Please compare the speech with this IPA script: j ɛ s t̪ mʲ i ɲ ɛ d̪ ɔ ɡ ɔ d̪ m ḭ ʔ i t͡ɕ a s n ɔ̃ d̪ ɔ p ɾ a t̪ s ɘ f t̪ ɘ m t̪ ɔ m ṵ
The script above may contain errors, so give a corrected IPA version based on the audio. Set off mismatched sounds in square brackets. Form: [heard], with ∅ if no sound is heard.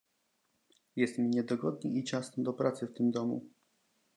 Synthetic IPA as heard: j ɛ s t̪ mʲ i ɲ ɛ d̪ ɔ ɡ ɔ d̪ [ɲ] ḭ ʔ i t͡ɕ a s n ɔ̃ d̪ ɔ p ɾ a t̪ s ɘ f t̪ ɘ m [d̪] ɔ m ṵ